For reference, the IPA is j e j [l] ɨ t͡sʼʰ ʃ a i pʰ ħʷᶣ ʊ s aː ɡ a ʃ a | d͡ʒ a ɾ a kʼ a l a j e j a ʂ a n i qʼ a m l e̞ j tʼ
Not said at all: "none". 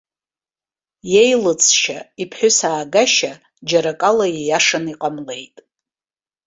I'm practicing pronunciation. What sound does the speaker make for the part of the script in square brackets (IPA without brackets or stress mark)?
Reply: l